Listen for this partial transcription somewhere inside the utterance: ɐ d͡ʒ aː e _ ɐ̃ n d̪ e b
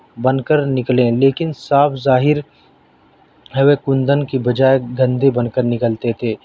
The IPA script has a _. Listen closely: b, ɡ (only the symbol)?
ɡ